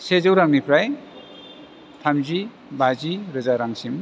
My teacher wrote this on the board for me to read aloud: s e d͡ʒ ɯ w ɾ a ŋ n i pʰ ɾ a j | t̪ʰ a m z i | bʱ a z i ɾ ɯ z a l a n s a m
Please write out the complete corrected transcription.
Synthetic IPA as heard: s e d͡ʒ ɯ w ɾ a ŋ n i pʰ ɾ a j | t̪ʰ a m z i | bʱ a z i ɾ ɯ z a ɾ a ŋ s i m